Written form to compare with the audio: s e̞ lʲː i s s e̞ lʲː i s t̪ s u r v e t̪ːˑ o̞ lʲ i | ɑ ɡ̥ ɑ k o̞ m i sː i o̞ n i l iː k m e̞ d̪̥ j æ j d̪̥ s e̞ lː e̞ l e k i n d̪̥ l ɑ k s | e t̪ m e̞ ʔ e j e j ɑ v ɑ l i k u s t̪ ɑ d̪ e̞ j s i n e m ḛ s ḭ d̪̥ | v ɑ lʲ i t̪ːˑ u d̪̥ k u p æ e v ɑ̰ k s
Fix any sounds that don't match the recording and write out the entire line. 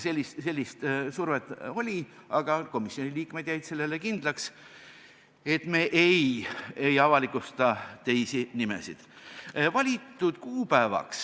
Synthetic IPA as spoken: s e̞ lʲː i s s e̞ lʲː i s t̪ s u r v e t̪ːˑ o̞ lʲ i | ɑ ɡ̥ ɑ k o̞ m i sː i o̞ n i l iː k m e̞ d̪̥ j æ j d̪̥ s e̞ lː e̞ l e k i n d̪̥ l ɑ k s | e t̪ m e̞ ʔ e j e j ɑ v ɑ l i k u s t̪ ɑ t̪ e̞ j s i n i m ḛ s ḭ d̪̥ | v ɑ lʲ i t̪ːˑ u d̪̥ k uː p æ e v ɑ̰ k s